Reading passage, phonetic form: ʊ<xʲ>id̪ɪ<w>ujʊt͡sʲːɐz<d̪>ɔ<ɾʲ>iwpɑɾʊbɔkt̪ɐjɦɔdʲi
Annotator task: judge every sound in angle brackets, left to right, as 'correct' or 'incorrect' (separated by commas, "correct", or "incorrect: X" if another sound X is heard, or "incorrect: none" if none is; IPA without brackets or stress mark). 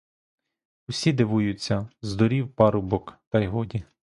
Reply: incorrect: sʲ, incorrect: ʋ, correct, correct